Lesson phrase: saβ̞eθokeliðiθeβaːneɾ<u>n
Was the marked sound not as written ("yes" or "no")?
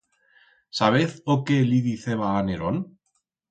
yes